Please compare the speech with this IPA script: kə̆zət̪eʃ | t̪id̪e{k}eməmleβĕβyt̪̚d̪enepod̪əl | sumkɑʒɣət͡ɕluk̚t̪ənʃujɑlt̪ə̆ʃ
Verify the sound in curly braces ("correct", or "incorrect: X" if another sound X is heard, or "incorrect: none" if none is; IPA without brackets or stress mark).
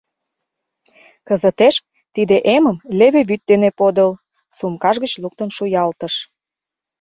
incorrect: ʔ